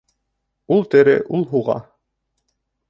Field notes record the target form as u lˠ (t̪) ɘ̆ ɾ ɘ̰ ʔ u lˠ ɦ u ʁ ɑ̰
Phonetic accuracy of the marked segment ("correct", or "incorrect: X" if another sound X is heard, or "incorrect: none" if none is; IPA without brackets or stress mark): correct